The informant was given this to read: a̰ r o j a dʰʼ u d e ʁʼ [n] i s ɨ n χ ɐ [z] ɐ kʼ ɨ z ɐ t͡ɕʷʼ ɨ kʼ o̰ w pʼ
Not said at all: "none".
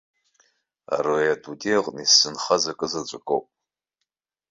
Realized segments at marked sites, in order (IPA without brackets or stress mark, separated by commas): n, z